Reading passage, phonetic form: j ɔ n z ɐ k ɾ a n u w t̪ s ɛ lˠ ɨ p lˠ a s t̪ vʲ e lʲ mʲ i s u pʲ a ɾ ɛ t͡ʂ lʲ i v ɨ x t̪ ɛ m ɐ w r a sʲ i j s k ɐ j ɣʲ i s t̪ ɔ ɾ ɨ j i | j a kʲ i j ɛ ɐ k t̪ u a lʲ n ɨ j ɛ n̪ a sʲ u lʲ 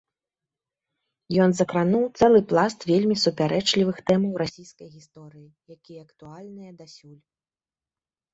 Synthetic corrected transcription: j ɔ n z ɐ k ɾ a n u w t̪ s ɛ lˠ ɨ p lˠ a s t̪ vʲ e lʲ mʲ i s u pʲ a ɾ ɛ t͡ʂ lʲ i v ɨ x t̪ ɛ m ɐ w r a sʲ i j s k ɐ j ɣʲ i s t̪ ɔ ɾ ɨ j i | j a kʲ i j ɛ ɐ k t̪ u a lʲ n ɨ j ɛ d̪ a sʲ u lʲ